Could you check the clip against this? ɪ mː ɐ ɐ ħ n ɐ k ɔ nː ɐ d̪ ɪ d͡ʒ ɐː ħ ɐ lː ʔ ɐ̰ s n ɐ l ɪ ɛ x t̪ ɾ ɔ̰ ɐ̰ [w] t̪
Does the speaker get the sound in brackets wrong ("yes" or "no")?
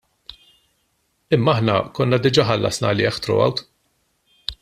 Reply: no